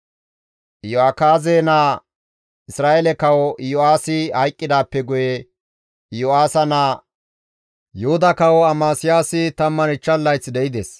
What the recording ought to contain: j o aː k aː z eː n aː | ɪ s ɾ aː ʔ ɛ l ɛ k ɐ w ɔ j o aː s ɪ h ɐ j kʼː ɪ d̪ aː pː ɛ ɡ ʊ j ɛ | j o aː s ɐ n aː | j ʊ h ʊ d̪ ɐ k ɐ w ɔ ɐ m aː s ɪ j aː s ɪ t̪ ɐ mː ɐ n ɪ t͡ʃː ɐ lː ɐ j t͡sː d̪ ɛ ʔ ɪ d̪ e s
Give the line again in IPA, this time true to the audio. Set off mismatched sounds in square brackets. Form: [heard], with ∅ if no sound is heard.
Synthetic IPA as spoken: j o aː k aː z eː n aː | ɪ s ɾ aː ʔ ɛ l ɛ k ɐ w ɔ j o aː s ɪ h ɐ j kʼː ɪ d̪ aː pː ɛ ɡ ʊ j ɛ | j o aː s ɐ n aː | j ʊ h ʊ d̪ ɐ k ɐ w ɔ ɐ m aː s ɪ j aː s ɪ t̪ ɐ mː ɐ n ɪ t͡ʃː ɐ lː ɐ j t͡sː d̪ ɛ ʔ ɪ d̪ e s